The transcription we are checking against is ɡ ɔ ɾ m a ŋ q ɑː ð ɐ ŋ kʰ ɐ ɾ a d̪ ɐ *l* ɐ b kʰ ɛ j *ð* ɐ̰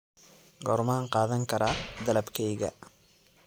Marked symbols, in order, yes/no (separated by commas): yes, no